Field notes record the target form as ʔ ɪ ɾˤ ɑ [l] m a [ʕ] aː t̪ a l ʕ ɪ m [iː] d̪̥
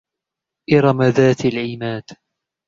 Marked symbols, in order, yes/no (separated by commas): no, no, no